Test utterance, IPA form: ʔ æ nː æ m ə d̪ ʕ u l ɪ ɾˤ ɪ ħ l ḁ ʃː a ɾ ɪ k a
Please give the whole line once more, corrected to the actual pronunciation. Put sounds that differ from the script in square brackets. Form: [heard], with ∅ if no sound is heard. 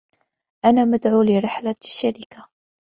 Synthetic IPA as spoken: ʔ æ [n] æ m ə d̪ ʕ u l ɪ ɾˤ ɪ ħ l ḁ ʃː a ɾ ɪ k a